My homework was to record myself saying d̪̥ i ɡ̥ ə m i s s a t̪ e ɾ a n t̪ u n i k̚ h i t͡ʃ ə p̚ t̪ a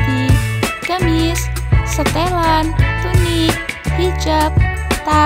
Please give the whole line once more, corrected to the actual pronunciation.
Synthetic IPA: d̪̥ i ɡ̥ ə m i s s ə t̪ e l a n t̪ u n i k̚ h i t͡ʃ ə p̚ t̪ a